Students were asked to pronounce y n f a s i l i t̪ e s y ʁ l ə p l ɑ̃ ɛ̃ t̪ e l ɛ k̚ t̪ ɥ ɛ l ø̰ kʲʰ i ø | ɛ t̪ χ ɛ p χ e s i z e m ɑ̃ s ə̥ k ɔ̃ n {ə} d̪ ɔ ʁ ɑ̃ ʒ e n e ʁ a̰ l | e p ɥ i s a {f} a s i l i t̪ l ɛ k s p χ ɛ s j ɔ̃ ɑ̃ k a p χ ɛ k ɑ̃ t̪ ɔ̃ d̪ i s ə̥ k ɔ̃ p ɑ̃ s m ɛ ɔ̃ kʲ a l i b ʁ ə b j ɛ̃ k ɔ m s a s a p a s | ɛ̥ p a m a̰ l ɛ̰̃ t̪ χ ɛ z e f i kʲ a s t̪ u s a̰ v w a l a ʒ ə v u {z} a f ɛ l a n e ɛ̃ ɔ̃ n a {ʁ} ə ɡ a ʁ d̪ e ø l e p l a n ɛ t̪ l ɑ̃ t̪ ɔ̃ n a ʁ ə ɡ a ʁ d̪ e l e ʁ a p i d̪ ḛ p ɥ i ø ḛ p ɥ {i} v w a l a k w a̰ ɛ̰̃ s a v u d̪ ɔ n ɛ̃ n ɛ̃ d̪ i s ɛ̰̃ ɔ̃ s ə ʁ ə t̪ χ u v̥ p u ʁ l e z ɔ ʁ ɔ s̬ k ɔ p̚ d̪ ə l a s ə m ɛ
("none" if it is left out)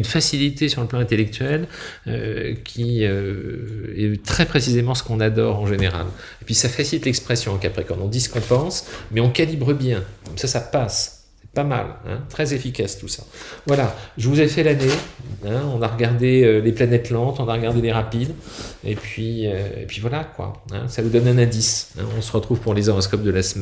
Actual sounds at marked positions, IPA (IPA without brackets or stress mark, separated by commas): a, f, z, ʁ, i